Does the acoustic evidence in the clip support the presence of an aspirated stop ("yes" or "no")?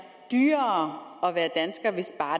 no